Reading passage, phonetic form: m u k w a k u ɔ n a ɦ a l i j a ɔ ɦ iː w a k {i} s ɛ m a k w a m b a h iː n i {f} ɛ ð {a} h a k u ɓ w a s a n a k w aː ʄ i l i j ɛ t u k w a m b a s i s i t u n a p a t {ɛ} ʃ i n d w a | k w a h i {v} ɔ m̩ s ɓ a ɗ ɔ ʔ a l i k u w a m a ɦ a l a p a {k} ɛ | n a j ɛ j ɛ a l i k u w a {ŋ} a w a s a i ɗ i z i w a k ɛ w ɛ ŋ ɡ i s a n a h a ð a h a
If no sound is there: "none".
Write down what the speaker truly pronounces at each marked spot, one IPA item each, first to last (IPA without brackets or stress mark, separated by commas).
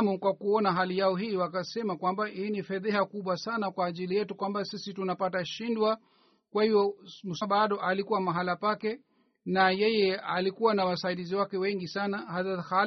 a, f, ɛ, a, v, k, n